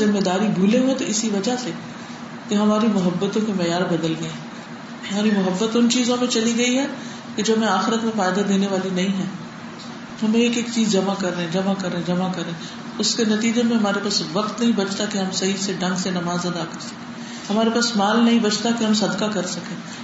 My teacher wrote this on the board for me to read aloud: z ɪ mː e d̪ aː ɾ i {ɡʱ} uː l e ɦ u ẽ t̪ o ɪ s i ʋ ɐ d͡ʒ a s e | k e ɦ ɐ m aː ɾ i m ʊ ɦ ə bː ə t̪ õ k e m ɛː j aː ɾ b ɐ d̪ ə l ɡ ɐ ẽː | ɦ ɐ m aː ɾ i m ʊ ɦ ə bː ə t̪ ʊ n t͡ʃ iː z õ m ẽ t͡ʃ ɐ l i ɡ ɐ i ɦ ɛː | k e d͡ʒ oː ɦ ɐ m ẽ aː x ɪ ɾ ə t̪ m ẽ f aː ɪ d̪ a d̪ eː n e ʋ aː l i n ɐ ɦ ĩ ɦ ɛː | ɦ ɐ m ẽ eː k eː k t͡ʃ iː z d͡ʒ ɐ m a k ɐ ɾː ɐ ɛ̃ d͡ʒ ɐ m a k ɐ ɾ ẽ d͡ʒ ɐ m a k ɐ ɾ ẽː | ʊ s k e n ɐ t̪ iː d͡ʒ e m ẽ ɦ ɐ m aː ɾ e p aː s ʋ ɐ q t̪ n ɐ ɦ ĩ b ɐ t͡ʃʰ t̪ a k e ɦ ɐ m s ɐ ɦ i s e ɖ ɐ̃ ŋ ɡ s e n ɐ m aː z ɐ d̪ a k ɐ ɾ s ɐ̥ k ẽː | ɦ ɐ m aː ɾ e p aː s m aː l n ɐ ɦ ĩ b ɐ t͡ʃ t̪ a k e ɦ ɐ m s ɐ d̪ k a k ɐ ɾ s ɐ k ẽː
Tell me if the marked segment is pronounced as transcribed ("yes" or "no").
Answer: no